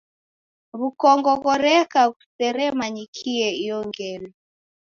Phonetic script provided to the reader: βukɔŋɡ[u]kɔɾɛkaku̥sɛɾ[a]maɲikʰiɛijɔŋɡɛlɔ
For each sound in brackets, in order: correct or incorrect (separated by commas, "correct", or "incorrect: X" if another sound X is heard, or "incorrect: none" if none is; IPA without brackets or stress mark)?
incorrect: ɔ, incorrect: ɛ